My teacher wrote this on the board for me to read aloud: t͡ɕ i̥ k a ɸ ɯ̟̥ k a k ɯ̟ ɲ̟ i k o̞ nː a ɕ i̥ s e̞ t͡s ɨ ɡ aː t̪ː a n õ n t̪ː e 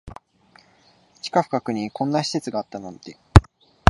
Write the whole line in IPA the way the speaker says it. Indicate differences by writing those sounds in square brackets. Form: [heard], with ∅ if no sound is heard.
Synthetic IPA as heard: t͡ɕ i̥ k a ɸ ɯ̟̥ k a k ɯ̟ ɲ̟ i k [õ̞] nː a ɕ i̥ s e̞ t͡s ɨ ɡ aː t̪ː a n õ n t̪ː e